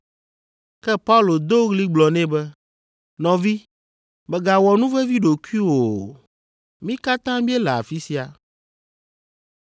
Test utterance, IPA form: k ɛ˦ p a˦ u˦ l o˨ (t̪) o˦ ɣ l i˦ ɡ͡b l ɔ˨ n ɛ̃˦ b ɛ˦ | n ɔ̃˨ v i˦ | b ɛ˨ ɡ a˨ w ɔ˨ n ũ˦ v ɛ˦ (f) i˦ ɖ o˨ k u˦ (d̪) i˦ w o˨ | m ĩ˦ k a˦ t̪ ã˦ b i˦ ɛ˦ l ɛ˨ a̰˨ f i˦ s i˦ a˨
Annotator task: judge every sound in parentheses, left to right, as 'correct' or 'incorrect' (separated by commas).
incorrect, incorrect, incorrect